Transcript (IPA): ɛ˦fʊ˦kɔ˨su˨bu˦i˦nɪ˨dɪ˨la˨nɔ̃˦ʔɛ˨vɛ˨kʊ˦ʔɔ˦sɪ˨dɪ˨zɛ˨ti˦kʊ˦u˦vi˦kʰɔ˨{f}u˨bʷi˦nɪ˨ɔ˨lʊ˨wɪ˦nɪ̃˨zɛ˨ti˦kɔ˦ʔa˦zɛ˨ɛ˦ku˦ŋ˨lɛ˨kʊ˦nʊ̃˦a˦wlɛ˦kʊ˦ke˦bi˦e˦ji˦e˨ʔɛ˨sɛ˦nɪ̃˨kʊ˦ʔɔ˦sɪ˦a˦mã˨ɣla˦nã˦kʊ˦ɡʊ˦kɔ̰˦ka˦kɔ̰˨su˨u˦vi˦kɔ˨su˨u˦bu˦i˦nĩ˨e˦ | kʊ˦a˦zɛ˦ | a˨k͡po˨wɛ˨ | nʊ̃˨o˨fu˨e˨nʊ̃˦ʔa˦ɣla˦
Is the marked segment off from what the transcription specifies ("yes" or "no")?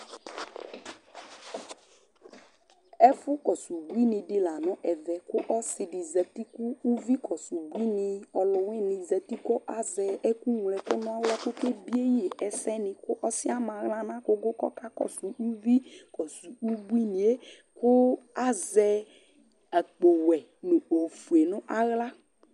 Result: yes